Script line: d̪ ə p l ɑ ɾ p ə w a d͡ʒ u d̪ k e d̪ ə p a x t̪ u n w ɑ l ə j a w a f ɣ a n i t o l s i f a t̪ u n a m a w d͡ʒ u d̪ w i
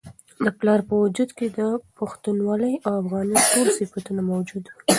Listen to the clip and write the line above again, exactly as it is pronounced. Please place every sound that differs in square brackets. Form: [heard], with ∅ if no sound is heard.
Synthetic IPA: d̪ ə p l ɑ ɾ p ə w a d͡ʒ u d̪ k e d̪ ə p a x t̪ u n w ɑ l ə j a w a f ɣ [ɑ] n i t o l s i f a t̪ u n a m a w d͡ʒ u d̪ w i